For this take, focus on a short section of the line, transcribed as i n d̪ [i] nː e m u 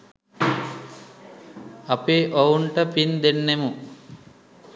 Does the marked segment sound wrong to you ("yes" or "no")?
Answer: yes